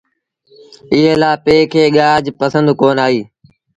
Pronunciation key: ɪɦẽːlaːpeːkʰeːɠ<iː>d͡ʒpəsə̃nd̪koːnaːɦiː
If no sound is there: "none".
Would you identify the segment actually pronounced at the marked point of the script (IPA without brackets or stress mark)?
aː